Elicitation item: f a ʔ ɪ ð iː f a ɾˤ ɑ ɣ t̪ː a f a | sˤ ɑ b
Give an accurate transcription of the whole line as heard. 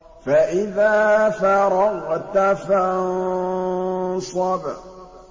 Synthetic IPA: f a ʔ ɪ ð aː f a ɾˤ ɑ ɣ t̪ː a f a | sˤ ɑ b